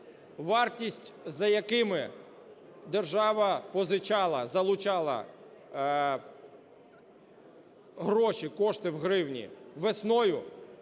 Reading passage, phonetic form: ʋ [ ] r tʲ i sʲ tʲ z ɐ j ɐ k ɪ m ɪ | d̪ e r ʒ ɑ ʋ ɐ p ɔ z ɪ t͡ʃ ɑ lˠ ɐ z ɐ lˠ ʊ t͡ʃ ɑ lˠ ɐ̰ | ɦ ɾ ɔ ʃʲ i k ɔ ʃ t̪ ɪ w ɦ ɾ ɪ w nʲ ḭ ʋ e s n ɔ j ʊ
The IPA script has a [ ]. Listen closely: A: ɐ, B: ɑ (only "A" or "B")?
B